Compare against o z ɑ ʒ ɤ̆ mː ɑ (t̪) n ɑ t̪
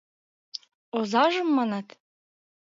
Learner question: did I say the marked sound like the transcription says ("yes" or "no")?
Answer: no